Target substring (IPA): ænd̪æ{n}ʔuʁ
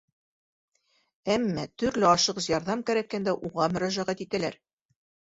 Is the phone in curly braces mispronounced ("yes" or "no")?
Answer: yes